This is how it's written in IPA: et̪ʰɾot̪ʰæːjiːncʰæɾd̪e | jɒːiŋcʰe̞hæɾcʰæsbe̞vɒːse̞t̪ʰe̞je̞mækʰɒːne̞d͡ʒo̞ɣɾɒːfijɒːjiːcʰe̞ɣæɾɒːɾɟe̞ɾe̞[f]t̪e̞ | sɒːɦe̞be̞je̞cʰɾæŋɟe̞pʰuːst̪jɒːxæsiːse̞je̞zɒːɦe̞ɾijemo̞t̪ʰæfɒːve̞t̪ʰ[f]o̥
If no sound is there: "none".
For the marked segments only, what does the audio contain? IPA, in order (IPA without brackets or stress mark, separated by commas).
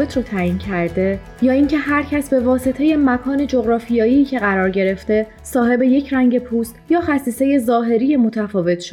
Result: f, ʃ